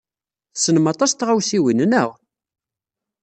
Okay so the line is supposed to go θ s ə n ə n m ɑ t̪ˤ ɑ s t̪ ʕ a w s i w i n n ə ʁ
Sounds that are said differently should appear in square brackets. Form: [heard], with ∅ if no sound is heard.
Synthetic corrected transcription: θ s ə n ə [∅] m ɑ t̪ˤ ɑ s t̪ [ʁ] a w s i w i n n ə ʁ